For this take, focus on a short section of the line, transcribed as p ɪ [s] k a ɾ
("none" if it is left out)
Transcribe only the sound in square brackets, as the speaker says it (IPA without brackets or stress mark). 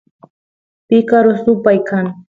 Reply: none